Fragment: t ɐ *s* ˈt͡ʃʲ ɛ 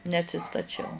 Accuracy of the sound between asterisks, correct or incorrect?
incorrect: none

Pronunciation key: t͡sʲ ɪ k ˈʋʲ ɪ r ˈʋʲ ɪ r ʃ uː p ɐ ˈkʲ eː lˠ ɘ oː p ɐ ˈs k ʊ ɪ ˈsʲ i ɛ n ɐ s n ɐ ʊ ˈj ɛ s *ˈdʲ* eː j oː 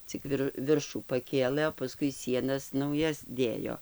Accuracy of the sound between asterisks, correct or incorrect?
correct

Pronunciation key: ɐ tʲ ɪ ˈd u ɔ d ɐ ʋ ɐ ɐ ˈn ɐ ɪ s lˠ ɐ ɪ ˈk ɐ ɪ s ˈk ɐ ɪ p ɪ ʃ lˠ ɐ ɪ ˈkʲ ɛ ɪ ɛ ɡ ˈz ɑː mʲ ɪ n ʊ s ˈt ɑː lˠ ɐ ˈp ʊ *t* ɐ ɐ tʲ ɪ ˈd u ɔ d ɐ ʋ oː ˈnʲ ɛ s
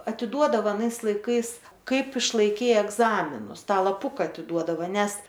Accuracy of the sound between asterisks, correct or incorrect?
incorrect: k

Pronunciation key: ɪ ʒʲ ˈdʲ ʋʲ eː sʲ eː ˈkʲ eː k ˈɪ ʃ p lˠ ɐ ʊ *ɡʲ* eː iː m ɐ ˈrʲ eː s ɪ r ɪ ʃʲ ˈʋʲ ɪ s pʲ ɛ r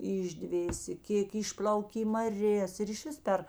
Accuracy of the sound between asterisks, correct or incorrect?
incorrect: kʲ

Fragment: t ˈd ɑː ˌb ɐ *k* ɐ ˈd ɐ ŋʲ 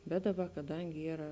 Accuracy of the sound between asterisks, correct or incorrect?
correct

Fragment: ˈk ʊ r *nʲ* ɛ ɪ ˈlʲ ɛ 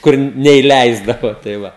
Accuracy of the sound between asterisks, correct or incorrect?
correct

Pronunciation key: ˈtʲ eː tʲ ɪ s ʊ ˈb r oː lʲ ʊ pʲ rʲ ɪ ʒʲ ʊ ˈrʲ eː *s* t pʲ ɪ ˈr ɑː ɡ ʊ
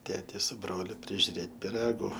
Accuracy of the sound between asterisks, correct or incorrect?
incorrect: none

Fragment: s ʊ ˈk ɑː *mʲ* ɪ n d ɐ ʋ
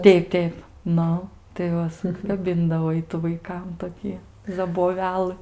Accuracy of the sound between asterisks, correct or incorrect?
incorrect: bʲ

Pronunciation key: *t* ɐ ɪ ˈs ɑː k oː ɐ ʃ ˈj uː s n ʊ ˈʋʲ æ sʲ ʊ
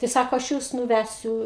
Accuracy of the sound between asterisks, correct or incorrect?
correct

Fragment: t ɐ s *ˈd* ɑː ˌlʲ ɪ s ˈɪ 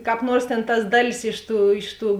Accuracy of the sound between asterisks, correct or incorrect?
correct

